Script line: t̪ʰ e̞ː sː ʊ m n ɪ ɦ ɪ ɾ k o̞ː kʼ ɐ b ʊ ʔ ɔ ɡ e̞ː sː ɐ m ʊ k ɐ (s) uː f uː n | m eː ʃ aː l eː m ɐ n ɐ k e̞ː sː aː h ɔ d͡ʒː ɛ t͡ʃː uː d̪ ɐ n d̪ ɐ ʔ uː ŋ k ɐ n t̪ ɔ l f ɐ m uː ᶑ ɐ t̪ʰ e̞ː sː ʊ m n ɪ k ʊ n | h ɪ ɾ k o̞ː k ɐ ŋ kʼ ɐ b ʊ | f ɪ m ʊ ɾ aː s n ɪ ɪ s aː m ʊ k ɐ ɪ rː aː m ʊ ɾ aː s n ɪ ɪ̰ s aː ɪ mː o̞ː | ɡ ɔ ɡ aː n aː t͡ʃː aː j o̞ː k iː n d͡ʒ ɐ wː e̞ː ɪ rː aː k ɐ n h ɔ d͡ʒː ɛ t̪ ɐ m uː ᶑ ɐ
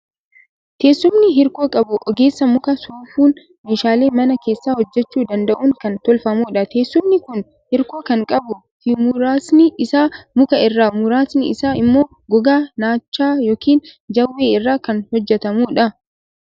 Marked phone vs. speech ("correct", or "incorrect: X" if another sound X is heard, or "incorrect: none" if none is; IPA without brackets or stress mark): correct